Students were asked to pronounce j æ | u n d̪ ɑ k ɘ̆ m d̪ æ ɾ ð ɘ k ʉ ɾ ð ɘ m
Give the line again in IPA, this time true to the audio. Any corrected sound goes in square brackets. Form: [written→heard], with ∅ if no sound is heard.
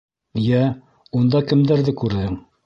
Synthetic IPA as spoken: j æ | u n d̪ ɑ k ɘ̆ m d̪ æ ɾ ð ɘ k ʉ ɾ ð ɘ [m→ŋ]